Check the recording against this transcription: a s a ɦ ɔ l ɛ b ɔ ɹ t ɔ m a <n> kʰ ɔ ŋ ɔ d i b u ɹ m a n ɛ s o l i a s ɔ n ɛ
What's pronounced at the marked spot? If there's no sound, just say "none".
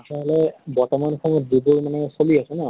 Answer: n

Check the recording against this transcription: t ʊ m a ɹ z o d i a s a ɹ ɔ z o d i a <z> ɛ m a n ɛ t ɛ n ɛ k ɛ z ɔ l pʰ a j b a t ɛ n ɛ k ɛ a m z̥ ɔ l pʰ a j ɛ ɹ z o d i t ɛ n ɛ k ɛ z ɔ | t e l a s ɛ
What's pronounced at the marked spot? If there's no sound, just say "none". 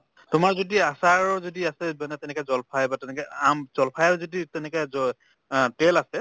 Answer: s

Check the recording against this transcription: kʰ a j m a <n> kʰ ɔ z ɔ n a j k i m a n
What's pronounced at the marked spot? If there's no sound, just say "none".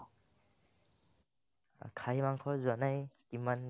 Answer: ŋ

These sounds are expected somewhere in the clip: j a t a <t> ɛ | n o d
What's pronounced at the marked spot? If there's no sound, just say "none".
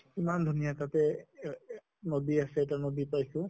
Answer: t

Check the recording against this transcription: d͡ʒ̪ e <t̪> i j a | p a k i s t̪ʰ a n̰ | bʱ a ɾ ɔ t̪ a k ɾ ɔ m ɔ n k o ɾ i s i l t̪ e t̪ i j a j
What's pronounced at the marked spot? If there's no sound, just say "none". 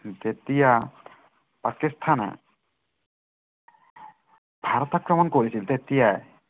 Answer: t̪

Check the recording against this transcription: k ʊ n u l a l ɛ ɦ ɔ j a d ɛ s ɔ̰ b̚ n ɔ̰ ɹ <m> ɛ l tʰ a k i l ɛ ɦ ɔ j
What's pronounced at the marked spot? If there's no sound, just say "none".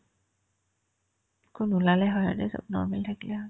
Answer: m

